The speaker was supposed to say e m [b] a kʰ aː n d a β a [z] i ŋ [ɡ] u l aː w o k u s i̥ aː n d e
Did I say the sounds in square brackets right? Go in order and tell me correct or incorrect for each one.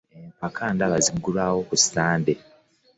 incorrect: p, correct, correct

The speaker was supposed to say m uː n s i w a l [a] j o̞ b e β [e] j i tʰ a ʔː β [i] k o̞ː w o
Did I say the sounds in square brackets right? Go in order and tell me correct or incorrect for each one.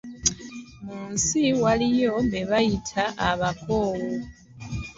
incorrect: i, incorrect: a, incorrect: a

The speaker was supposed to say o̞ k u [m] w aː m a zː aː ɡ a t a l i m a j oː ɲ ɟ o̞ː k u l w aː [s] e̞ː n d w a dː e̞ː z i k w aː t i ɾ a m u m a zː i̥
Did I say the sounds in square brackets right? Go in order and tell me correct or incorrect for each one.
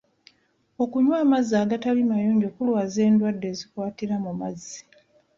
incorrect: ɲ, incorrect: z

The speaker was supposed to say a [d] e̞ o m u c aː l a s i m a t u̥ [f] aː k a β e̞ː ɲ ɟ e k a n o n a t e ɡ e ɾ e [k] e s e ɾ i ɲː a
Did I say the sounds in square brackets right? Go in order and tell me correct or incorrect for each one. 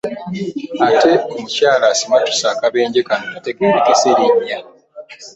incorrect: t, incorrect: s, correct

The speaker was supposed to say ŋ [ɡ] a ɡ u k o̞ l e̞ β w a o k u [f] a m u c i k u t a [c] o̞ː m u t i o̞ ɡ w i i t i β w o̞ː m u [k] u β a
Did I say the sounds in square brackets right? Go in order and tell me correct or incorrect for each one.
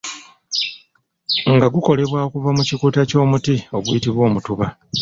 correct, incorrect: v, correct, incorrect: t

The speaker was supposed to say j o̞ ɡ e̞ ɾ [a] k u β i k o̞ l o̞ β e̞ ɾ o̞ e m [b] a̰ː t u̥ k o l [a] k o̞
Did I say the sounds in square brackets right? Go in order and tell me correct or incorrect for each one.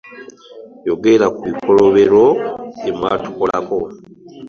correct, incorrect: w, correct

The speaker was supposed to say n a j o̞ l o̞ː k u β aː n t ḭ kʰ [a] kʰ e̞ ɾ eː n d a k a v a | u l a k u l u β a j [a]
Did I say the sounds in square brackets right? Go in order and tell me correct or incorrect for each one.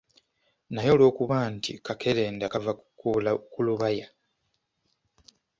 correct, correct

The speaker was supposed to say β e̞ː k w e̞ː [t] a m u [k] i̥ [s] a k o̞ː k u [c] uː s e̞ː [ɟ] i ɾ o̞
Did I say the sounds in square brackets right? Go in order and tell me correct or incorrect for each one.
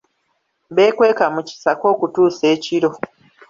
incorrect: k, incorrect: c, correct, incorrect: t, incorrect: c

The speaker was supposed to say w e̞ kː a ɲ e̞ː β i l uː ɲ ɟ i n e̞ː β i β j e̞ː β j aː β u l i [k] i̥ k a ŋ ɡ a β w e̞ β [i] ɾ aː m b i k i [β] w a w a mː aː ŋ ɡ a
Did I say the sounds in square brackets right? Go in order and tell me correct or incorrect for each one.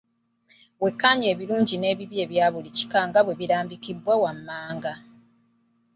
incorrect: c, correct, incorrect: b

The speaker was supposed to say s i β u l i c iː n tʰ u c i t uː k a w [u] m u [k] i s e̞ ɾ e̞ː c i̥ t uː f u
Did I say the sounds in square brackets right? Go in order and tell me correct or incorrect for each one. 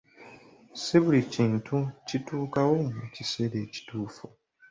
incorrect: o, incorrect: c

